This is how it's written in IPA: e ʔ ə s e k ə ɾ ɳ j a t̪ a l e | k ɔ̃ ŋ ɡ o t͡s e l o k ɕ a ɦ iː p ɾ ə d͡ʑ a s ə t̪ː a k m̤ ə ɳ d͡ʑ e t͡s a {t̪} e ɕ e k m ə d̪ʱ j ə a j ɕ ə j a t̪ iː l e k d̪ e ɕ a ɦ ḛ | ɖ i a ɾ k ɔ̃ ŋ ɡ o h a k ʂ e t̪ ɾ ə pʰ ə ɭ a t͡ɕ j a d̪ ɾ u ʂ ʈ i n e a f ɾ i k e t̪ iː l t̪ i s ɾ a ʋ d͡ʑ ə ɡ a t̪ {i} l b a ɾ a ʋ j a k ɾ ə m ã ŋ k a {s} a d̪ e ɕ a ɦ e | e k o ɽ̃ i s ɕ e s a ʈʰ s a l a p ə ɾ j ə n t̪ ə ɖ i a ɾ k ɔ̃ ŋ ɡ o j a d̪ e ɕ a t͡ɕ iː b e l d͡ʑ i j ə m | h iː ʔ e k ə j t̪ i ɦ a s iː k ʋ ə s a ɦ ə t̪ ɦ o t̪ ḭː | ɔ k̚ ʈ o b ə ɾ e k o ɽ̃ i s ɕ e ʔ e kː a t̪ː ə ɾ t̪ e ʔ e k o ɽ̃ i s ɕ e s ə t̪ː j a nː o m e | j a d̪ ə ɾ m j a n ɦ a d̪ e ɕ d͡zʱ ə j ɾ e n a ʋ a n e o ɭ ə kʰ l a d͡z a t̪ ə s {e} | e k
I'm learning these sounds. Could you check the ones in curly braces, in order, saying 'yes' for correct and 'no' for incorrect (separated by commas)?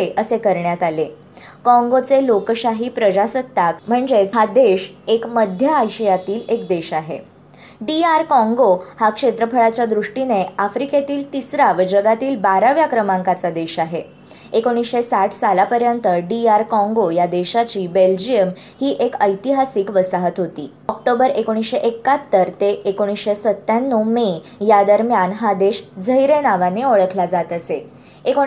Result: no, no, no, yes